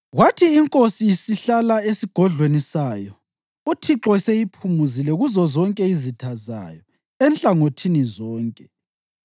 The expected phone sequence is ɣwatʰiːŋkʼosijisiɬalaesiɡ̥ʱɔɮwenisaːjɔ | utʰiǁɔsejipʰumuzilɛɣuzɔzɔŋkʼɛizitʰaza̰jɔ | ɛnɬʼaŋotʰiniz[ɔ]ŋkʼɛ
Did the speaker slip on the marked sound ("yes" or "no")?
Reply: yes